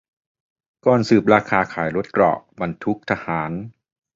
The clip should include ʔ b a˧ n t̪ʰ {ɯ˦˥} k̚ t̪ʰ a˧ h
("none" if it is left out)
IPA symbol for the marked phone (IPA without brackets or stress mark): u˦˥